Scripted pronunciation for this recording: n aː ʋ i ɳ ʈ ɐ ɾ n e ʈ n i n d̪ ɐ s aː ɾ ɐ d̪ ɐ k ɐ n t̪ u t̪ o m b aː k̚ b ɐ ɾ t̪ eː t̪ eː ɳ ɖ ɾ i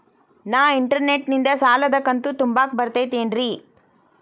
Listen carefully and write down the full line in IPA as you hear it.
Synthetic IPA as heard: n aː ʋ i ɳ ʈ ɐ ɾ n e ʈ n i n d̪ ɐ s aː l ɐ d̪ ɐ k ɐ n t̪ u t̪ u m b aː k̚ b ɐ ɾ t̪ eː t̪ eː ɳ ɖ ɾ i